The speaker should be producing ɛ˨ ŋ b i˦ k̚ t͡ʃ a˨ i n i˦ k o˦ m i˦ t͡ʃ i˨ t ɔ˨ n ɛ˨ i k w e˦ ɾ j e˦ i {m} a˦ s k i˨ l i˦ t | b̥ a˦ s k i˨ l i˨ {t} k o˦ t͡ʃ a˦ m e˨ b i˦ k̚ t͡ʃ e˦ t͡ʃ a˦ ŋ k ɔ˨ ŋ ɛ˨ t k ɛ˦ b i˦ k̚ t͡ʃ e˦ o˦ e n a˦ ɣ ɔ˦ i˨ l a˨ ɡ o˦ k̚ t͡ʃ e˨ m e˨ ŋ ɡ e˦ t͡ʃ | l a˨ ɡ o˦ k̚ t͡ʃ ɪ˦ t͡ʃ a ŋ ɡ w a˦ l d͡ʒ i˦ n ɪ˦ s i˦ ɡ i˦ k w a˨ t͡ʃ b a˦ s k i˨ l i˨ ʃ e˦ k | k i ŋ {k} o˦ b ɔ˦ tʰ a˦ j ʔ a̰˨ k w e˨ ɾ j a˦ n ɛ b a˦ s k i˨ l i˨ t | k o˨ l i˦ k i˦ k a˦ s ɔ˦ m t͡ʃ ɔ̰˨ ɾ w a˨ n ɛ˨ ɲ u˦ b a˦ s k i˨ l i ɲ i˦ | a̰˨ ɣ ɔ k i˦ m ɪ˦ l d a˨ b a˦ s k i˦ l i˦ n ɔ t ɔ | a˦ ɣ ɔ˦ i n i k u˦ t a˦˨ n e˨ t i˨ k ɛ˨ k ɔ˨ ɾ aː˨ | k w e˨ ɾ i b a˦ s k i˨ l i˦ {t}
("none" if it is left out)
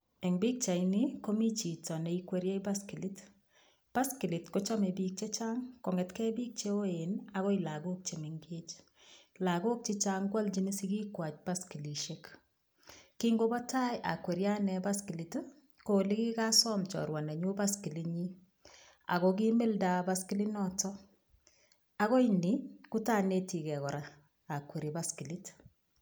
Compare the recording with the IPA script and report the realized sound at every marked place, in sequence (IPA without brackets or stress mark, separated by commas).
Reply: b, t, ɡ, t